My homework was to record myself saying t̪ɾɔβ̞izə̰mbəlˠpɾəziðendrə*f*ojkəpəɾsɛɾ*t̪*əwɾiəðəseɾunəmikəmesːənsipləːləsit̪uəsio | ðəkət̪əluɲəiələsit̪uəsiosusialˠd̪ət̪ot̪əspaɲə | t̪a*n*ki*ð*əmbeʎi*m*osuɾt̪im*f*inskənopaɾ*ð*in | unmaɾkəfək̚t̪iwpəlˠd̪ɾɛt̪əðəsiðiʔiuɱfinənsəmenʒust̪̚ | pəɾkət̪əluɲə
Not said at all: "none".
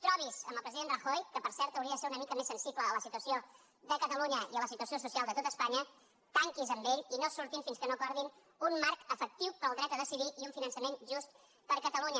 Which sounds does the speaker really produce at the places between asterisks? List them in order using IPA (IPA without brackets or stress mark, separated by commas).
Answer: x, t̪, ŋ, z, n, f, ð